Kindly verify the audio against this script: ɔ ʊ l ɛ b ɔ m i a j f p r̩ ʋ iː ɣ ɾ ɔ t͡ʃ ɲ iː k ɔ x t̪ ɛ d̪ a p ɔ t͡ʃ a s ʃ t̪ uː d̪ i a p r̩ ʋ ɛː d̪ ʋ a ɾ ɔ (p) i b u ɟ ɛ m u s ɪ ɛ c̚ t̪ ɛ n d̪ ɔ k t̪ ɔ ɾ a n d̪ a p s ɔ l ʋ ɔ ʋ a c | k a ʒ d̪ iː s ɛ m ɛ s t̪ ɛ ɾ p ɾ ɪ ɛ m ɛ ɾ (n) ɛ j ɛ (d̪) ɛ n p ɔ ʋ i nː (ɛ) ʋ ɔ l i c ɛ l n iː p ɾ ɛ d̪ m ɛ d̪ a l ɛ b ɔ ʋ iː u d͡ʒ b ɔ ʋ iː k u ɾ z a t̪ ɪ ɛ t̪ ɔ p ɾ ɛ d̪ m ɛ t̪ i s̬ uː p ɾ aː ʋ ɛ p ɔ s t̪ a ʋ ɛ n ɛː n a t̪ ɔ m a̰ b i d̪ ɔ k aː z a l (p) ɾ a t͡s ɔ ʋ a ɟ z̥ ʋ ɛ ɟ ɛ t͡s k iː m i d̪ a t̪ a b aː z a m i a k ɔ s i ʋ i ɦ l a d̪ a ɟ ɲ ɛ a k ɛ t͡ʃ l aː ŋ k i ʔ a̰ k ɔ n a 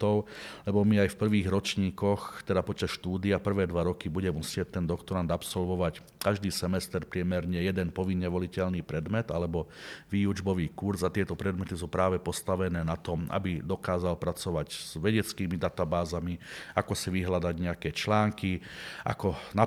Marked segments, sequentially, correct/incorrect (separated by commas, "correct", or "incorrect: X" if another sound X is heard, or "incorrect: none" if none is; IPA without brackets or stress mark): incorrect: k, incorrect: ɲ, correct, correct, correct